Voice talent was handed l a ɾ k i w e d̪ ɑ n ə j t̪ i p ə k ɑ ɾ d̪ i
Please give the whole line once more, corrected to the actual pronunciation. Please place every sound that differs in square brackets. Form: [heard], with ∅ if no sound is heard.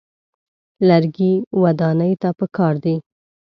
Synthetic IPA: l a ɾ [ɡ] i w [a] d̪ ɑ n ə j t̪ [a] p ə k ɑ ɾ d̪ i